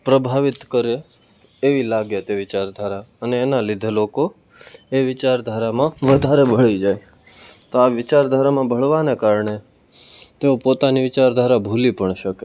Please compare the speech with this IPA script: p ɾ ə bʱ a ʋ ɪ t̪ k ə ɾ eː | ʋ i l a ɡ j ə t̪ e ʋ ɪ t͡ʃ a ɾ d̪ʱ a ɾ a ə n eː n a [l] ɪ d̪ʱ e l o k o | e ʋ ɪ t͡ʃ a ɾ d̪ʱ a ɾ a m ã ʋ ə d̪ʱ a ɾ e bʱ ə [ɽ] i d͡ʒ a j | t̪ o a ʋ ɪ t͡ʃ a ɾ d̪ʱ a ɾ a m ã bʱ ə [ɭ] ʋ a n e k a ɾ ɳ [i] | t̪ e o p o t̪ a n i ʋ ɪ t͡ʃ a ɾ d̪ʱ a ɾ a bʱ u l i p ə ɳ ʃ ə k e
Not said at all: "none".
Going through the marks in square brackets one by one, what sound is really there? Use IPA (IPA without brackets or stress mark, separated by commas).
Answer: l, ɭ, ɭ, e